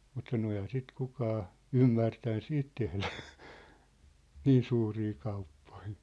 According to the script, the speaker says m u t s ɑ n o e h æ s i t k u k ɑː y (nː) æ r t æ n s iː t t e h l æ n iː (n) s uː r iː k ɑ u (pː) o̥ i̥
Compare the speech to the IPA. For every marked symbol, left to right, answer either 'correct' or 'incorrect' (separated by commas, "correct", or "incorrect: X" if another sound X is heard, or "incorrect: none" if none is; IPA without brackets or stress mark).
incorrect: mː, correct, correct